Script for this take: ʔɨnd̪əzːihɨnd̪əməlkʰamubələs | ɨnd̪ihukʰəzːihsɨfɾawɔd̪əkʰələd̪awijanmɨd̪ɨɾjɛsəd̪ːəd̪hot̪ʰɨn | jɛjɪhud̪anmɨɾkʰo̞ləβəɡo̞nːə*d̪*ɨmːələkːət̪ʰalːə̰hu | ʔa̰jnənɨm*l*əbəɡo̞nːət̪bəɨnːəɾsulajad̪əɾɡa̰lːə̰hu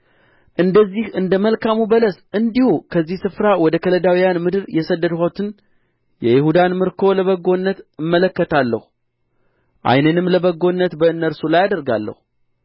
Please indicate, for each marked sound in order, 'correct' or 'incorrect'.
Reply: incorrect, correct

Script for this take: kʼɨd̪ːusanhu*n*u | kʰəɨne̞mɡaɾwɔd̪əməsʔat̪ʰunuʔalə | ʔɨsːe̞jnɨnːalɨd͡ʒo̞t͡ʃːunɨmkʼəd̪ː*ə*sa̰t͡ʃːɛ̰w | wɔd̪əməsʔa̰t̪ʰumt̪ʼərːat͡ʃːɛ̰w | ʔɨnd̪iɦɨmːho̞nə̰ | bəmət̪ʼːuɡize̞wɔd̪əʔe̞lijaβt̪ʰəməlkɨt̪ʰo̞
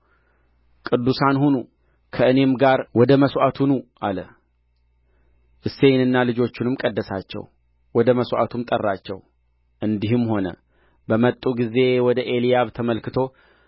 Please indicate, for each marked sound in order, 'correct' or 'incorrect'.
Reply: correct, correct

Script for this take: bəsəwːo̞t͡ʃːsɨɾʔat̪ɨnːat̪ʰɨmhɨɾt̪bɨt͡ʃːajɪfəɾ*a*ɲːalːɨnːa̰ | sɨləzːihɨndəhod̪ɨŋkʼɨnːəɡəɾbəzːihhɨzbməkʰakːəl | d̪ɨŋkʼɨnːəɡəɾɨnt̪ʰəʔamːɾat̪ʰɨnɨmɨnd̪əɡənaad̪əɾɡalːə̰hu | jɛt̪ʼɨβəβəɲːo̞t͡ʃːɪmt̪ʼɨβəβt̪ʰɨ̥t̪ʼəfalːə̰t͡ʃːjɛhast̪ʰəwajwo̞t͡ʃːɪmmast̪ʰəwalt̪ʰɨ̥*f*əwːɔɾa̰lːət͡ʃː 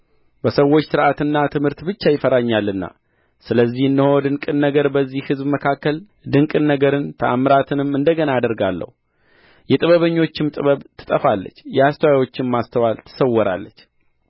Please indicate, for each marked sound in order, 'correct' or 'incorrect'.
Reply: correct, incorrect

